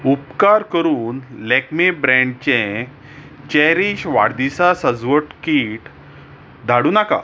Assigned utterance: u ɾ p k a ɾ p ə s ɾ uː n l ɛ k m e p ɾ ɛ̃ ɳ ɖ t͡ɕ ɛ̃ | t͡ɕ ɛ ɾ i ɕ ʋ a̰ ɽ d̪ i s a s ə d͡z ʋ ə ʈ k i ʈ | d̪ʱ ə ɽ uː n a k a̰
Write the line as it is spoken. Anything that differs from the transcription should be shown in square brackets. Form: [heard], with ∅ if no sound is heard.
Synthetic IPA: u [∅] p k a ɾ [k] ə [∅] ɾ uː n l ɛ k m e [b] ɾ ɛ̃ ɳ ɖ t͡ɕ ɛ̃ | t͡ɕ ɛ ɾ i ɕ ʋ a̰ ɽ d̪ i s a s ə d͡z ʋ ə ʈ k i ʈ | d̪ʱ [a] ɽ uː n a k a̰